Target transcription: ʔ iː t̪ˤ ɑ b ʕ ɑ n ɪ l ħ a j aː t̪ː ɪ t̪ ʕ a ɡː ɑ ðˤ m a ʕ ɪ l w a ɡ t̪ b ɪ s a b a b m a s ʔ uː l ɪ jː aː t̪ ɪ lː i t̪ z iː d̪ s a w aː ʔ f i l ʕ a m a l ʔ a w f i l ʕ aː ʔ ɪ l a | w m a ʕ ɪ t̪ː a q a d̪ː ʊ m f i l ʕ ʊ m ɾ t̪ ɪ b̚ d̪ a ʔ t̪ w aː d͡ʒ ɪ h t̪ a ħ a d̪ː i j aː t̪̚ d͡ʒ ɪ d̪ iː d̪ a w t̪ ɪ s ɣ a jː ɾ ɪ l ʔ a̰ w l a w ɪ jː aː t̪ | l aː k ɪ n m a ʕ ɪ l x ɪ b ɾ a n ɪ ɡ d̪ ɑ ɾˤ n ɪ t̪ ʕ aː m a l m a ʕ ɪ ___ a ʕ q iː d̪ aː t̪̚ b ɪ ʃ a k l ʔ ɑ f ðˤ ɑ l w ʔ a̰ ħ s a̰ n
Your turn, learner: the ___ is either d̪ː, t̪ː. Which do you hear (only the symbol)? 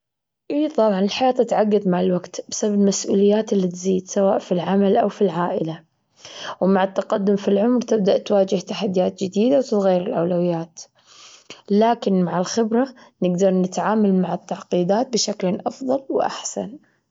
t̪ː